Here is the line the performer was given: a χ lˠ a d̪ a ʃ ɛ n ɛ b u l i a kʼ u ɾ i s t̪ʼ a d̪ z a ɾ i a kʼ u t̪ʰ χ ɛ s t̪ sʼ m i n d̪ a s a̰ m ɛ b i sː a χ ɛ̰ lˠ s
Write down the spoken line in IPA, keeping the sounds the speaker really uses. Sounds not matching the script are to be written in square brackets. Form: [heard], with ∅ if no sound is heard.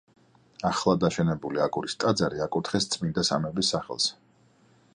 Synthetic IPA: a χ lˠ a d̪ a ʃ ɛ n ɛ b u l i a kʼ u ɾ i s t̪ʼ a d̪ z a ɾ i a kʼ u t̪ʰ χ ɛ s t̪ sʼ m i n d̪ a s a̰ m ɛ b i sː a χ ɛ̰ lˠ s